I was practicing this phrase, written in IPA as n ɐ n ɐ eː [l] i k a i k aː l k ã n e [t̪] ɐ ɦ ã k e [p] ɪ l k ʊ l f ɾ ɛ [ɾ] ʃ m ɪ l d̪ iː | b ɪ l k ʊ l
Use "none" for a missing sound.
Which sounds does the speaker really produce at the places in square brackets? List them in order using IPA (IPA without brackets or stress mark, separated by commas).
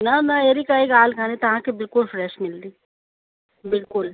ɾ, t̪, b, none